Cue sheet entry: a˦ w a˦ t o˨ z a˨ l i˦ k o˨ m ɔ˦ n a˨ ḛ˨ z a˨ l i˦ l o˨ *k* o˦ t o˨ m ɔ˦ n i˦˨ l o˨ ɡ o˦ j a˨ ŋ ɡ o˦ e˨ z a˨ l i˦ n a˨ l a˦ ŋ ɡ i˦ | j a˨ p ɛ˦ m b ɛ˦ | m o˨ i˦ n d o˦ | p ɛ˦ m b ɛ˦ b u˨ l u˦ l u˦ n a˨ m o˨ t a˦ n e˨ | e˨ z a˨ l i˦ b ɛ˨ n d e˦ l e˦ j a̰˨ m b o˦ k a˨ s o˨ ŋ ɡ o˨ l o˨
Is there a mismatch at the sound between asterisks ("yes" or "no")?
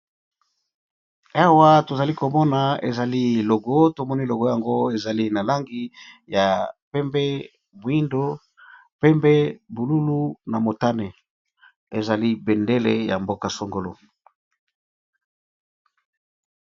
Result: yes